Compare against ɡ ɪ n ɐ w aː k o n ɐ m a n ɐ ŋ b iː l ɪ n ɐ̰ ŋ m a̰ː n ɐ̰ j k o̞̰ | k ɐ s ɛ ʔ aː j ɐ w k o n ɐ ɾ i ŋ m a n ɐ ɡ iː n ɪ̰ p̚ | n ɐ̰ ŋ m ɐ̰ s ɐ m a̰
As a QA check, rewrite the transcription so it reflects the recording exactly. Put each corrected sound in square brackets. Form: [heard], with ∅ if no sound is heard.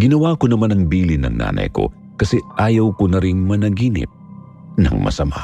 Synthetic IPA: ɡ ɪ n ɐ w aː k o n ɐ m a n ɐ ŋ b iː l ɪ n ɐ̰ ŋ [n] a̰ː n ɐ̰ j k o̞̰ | k ɐ s ɛ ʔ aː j ɐ w k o n ɐ ɾ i ŋ m [ɐ] n ɐ ɡ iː n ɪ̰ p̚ | n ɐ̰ ŋ m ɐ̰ s ɐ m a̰